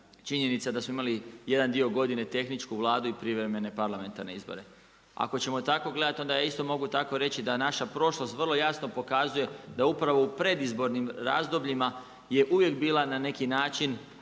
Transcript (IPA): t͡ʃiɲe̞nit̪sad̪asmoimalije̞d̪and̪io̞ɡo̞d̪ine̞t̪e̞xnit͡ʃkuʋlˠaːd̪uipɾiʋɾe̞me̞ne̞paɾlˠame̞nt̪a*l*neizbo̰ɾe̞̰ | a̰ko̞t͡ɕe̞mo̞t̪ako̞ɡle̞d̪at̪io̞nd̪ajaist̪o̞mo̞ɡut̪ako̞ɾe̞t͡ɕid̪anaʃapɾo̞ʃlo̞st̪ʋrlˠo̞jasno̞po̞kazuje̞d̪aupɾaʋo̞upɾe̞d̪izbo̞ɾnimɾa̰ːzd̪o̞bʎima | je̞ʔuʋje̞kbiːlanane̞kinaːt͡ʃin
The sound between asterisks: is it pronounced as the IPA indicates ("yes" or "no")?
no